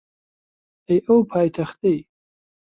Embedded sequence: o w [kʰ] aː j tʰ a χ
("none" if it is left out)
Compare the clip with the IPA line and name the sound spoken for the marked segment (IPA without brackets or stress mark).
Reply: pʰ